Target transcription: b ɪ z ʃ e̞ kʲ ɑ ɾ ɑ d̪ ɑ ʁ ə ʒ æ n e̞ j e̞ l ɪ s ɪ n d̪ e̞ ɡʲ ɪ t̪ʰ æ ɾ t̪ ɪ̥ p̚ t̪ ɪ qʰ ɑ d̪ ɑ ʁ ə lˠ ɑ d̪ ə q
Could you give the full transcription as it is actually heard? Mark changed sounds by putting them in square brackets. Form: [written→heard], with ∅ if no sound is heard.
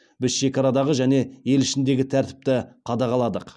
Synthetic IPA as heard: b ɪ z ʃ e̞ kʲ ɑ ɾ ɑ d̪ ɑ ʁ ə ʒ æ n e̞ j e̞ l ɪ [s→ʃ] ɪ n d̪ e̞ ɡʲ ɪ t̪ʰ æ ɾ t̪ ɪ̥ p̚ t̪ ɪ qʰ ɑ d̪ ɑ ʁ [ə→ɑ] lˠ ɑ d̪ ə q